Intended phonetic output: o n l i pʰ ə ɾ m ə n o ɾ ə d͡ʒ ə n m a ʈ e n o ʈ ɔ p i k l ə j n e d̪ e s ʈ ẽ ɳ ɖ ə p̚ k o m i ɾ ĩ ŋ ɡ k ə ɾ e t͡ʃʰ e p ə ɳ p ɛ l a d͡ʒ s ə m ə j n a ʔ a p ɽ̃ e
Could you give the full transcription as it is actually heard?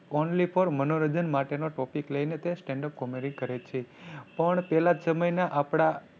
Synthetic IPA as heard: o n l i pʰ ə ɾ m ə n o ɾ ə d͡ʒ ə n m a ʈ e n o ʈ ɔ p i k l ə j n e t̪ e s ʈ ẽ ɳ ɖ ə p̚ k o m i ɾ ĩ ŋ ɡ k ə ɾ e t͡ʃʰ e p ə ɳ p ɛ l a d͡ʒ s ə m ə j n a ʔ a p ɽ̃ a